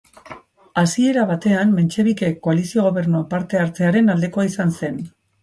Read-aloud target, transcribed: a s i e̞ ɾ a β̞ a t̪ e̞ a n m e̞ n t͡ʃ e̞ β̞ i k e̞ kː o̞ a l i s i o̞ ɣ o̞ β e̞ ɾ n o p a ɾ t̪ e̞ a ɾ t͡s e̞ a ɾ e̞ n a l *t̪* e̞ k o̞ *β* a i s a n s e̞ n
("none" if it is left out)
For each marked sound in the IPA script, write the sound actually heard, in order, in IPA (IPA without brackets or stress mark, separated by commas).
d̪, none